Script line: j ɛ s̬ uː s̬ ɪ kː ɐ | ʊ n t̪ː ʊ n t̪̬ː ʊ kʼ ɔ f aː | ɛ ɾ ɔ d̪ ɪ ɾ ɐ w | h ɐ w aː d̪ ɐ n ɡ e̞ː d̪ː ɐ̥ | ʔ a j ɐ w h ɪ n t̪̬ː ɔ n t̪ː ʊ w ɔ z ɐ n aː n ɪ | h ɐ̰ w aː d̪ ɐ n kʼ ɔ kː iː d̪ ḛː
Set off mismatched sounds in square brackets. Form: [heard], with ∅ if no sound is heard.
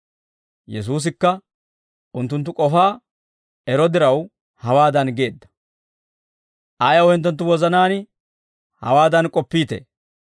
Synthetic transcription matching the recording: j ɛ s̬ uː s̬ ɪ kː ɐ | ʊ n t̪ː ʊ n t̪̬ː ʊ kʼ ɔ f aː | ɛ ɾ ɔ d̪ ɪ ɾ ɐ w | h ɐ w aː d̪ ɐ n ɡ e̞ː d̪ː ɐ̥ | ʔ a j ɐ w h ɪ n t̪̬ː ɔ n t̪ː ʊ w ɔ z ɐ n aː n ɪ | h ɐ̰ w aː d̪ ɐ n kʼ ɔ [pː] iː [t̪] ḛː